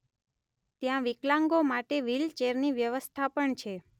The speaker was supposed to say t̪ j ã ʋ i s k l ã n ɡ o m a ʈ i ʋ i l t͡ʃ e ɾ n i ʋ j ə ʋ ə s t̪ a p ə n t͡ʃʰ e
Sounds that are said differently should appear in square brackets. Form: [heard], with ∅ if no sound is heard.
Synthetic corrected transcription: t̪ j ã ʋ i [∅] k l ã [ŋ] ɡ o m a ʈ [e] ʋ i l t͡ʃ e ɾ n i ʋ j ə ʋ ə s [t̪ʰ] a p ə [ɳ] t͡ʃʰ e

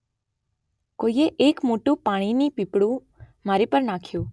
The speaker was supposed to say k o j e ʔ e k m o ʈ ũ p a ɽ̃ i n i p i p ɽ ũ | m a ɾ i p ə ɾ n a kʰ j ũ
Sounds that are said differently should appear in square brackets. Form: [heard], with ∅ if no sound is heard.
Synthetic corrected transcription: k o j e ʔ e k m o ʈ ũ p a ɽ̃ i n i p i p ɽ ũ | m a ɾ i p ə ɾ n a kʰ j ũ

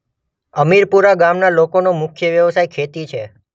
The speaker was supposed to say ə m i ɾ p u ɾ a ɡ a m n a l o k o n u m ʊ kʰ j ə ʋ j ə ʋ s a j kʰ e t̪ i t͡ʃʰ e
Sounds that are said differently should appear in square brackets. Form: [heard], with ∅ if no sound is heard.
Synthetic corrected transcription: ə m i ɾ p u ɾ a ɡ a m n a l o k o n [o] m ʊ kʰ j ə ʋ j ə ʋ s a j kʰ e t̪ i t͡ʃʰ e

